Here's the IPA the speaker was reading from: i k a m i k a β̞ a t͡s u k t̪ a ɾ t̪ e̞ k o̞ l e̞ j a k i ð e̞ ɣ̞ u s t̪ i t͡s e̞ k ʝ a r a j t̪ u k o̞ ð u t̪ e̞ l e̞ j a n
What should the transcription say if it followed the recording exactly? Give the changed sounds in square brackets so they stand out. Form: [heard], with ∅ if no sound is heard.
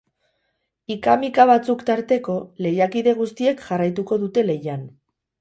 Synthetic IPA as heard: i k a m i k a β̞ a t͡s u k t̪ a ɾ t̪ e̞ k o̞ l e̞ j a k i ð e̞ ɣ̞ u s t̪ i [∅] e̞ k ʝ a r a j t̪ u k o̞ ð u t̪ e̞ l e̞ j a n

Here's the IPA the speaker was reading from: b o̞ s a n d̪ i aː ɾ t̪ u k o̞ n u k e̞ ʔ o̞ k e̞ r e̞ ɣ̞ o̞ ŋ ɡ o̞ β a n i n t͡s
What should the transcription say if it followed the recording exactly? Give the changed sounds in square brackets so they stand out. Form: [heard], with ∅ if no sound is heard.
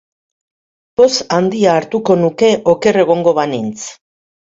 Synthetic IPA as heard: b o̞ s a n d̪ i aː ɾ t̪ u k o̞ n u k e̞ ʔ o̞ k e̞ r e̞ ɣ̞ o̞ ŋ ɡ o̞ β a n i n t͡s

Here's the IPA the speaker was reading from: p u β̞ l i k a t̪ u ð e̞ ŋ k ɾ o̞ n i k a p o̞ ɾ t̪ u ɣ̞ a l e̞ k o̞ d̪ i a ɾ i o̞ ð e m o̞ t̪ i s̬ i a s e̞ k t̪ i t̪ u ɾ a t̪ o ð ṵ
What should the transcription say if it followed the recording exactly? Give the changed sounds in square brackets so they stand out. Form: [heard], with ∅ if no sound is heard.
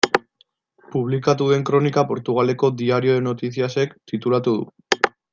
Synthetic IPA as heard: p u β̞ l i k a t̪ u ð e̞ ŋ k ɾ o̞ n i k a p o̞ ɾ t̪ u ɣ̞ a l e̞ k o̞ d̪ i a ɾ i o̞ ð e [n] o̞ t̪ i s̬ i a s e̞ k t̪ i t̪ u [l] a t̪ [u] ð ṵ

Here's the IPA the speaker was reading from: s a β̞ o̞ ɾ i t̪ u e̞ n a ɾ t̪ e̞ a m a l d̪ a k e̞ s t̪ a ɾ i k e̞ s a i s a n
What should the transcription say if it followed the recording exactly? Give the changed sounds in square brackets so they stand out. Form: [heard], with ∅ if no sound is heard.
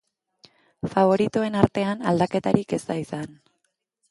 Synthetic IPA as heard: [f] a β̞ o̞ ɾ i t̪ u e̞ n a ɾ t̪ e̞ a [n] a l d̪ a k e̞ [∅] t̪ a ɾ i k e̞ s a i s a n

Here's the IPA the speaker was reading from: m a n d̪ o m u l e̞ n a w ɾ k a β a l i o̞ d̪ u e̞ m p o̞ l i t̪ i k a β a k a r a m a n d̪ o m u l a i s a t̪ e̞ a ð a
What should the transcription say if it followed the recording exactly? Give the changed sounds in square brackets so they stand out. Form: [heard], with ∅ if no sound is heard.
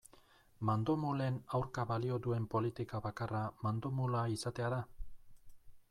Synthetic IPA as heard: m a n d̪ o m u l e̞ n a w ɾ k a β a l i o̞ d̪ u e̞ m p o̞ l i t̪ i k a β a k a r a m a n d̪ o m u l a i s a t̪ e̞ a ð a

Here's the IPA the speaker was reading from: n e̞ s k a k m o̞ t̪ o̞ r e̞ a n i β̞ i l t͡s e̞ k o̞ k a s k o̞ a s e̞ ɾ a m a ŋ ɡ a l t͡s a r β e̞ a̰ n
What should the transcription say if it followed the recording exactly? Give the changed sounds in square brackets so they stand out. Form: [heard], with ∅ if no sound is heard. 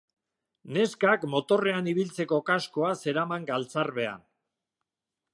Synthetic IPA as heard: n e̞ s k a k m o̞ t̪ o̞ r e̞ a n i β̞ i l t͡s e̞ k o̞ k a s k o̞ a s e̞ ɾ a m a ŋ ɡ a l t͡s a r β e̞ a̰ n

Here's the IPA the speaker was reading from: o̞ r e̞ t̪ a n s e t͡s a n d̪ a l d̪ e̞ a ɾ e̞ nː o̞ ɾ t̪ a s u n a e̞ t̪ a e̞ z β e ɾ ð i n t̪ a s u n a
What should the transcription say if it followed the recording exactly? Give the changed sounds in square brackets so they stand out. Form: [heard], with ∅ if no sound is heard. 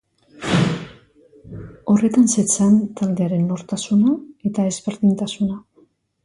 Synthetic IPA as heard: o̞ r e̞ t̪ a n s e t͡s a n [t̪] a l d̪ e̞ a ɾ e̞ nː o̞ ɾ t̪ a s u n a e̞ t̪ a e̞ z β e ɾ ð i n t̪ a s u n a

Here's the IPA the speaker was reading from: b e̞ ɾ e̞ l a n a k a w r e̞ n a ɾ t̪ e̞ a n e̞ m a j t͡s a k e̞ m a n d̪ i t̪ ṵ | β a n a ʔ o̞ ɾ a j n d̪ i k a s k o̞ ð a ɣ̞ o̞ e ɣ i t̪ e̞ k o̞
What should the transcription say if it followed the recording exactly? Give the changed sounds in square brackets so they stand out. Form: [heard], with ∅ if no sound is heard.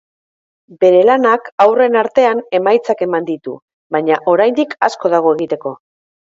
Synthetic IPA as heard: b e̞ ɾ e̞ l a n a k a w r e̞ n a ɾ t̪ e̞ a n e̞ m a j t͡s a k e̞ m a n d̪ i t̪ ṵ | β a [ɲ] a ʔ o̞ ɾ a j n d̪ i k a s k o̞ ð a ɣ̞ o̞ e ɣ i t̪ e̞ k o̞

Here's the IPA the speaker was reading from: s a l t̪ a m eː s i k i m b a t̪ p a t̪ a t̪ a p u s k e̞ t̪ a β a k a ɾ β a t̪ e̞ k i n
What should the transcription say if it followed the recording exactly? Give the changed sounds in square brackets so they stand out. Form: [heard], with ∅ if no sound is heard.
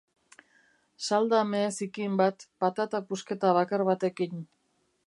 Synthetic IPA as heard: s a l [d̪] a m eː s i k i m b a t̪ p a t̪ a t̪ a p u s k e̞ t̪ a β a k a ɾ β a t̪ e̞ k i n

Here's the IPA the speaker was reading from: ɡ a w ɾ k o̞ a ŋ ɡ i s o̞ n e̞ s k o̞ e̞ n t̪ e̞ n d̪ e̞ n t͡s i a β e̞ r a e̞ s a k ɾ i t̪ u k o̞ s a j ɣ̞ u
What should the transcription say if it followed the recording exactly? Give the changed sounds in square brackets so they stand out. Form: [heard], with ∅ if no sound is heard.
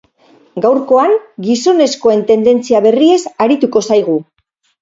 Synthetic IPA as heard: ɡ a w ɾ k o̞ a ŋ ɡ i s o̞ n e̞ s k o̞ e̞ n t̪ e̞ n d̪ e̞ n t͡s i a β e̞ r [i] e̞ s a [∅] ɾ i t̪ u k o̞ s a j ɣ̞ u

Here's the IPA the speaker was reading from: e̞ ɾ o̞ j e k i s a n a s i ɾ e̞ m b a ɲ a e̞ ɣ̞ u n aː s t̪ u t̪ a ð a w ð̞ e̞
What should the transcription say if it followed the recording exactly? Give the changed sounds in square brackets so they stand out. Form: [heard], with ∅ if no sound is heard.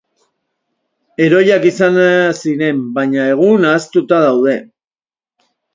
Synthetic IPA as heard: e̞ ɾ o̞ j [a] k i s a n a s i ɾ e̞ m b a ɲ a e̞ ɣ̞ u n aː s t̪ u t̪ a ð a w ð̞ e̞

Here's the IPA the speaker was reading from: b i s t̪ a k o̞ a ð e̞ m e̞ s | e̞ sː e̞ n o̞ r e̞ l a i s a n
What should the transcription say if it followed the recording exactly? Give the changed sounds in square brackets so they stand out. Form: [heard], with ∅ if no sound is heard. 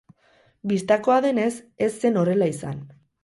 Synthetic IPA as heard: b i s t̪ a k o̞ a ð e̞ [n] e̞ s | e̞ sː e̞ n o̞ r e̞ l a i s a n

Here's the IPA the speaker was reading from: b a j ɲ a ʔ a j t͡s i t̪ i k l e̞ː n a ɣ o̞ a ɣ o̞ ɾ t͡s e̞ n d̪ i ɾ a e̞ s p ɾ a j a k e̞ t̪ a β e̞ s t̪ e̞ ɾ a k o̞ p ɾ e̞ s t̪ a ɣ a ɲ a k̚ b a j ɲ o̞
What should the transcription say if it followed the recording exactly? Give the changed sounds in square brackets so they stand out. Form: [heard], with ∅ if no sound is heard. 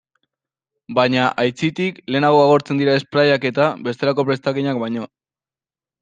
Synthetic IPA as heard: b a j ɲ a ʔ a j t͡s i t̪ i k l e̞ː n a ɣ o̞ a ɣ o̞ ɾ t͡s e̞ n d̪ i ɾ a e̞ s p ɾ a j a k e̞ t̪ a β e̞ s t̪ e̞ ɾ a k o̞ p ɾ e̞ s t̪ a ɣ [i] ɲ a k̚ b a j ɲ o̞

